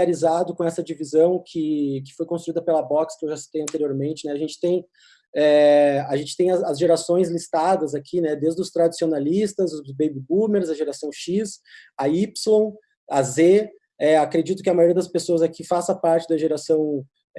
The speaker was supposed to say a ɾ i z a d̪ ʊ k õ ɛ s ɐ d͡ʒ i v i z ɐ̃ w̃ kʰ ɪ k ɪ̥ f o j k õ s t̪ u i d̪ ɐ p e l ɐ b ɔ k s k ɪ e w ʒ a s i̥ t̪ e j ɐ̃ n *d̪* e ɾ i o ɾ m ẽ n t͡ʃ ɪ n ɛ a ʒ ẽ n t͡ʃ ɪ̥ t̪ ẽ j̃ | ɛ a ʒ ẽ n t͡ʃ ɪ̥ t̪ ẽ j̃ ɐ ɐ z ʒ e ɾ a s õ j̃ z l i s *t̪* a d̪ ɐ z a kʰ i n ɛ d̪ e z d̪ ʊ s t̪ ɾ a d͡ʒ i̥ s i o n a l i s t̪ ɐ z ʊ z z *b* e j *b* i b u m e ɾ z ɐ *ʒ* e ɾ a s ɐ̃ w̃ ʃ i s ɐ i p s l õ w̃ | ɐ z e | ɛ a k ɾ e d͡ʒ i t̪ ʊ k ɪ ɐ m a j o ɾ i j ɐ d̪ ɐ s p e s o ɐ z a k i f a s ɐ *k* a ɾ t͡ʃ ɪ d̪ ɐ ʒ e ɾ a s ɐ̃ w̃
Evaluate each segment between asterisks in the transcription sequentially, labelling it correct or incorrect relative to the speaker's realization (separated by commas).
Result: incorrect, correct, correct, correct, correct, incorrect